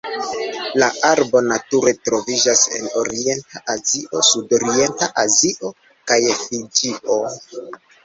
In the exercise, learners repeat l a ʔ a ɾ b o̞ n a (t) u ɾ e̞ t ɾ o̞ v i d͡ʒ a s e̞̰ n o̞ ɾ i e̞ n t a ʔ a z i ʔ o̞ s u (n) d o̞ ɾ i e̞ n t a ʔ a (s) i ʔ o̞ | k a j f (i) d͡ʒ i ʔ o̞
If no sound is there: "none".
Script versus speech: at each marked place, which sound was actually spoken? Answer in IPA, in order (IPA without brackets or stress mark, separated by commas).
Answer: t, none, z, i